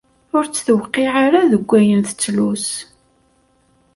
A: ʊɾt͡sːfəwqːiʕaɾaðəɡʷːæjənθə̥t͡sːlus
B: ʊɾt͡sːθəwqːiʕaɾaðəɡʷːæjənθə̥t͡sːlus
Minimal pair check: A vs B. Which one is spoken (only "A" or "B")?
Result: B